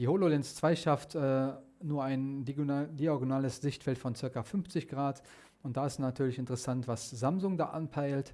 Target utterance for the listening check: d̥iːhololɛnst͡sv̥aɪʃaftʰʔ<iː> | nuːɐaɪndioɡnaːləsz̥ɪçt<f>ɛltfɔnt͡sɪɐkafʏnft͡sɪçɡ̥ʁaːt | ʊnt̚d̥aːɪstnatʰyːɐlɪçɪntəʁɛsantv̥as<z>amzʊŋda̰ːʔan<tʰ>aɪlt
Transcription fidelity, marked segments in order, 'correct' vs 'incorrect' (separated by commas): incorrect, correct, correct, incorrect